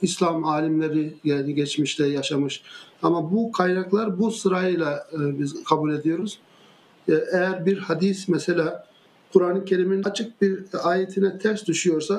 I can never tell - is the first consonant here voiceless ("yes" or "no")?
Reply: yes